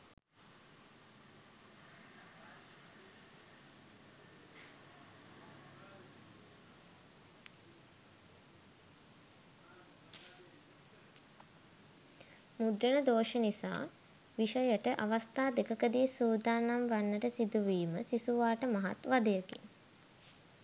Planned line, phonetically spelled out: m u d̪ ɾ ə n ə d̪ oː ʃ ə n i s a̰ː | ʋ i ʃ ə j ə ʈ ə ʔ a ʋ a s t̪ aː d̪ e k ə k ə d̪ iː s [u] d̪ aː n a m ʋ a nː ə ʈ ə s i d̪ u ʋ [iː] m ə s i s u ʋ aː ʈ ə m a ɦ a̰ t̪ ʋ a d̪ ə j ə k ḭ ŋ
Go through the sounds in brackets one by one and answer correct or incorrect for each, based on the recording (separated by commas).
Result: incorrect, correct